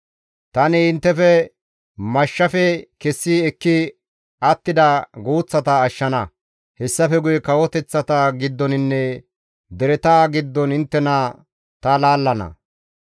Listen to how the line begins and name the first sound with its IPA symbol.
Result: t̪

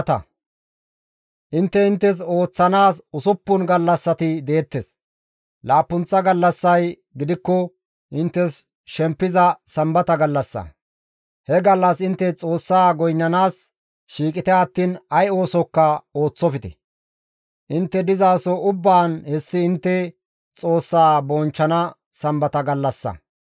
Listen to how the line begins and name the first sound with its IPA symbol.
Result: t̪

